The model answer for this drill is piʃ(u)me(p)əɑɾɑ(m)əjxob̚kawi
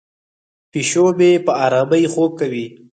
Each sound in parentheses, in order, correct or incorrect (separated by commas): incorrect, correct, correct